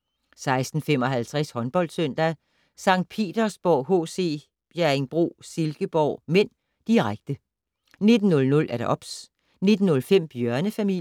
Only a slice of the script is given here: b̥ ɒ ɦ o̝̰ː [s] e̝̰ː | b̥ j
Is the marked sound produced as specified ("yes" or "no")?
yes